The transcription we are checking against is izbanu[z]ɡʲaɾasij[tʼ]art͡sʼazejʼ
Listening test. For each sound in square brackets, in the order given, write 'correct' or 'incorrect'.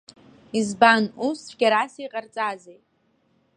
incorrect: s, incorrect: qʼ

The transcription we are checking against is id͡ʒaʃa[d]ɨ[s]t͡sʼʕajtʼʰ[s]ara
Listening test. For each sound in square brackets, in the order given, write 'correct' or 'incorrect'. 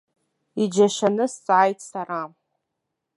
incorrect: n, correct, correct

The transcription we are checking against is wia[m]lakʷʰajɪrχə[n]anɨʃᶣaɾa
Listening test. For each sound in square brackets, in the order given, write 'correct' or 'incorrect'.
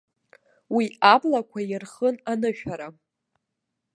incorrect: b, correct

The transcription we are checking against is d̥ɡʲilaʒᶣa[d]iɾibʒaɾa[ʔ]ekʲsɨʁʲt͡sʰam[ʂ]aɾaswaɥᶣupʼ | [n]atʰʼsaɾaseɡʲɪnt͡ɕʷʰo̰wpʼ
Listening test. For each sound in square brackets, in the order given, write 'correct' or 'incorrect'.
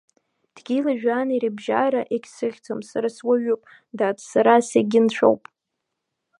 incorrect: n, correct, incorrect: s, incorrect: d

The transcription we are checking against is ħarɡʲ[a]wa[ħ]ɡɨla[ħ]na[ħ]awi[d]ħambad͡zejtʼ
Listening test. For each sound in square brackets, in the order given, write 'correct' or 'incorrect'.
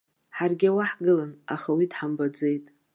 correct, correct, incorrect: none, incorrect: χ, correct

